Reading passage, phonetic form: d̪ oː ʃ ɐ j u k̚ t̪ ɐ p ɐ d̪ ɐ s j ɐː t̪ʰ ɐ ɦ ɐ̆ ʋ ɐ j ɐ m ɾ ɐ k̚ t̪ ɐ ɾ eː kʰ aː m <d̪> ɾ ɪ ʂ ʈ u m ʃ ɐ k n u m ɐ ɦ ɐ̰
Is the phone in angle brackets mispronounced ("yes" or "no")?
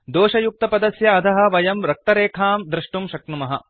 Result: no